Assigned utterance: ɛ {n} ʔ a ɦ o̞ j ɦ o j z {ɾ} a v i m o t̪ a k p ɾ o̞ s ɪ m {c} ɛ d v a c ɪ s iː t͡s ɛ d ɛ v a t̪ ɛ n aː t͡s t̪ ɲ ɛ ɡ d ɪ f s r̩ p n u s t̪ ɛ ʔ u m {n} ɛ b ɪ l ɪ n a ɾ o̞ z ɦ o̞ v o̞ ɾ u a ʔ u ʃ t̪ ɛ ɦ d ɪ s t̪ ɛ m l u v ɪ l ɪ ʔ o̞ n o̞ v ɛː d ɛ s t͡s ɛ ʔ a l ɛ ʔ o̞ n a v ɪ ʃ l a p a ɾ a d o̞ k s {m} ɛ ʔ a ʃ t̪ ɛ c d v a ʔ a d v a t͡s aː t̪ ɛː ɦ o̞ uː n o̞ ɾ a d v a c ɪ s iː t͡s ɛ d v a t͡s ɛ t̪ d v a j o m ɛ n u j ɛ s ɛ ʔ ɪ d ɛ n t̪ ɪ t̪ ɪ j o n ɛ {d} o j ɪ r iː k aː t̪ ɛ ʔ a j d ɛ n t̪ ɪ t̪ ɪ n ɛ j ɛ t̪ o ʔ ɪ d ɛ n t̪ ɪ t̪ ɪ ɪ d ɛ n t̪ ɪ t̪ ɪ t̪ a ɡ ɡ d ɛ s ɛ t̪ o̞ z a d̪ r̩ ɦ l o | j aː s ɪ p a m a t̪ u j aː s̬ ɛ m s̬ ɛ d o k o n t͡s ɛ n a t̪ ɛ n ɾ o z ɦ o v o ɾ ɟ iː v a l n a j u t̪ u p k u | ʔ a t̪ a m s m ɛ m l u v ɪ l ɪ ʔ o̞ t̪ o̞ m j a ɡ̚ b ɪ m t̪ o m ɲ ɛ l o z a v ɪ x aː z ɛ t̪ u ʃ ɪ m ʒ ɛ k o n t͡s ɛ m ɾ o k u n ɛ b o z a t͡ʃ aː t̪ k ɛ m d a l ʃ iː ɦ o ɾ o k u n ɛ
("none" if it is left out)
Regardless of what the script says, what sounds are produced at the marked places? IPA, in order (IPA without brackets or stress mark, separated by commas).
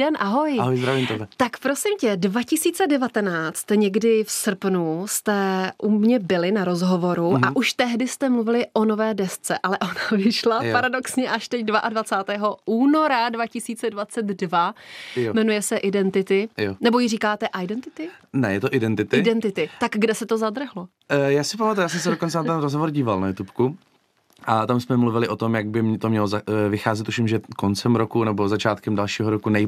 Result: n, ɾ, c, ɲ, ɲ, b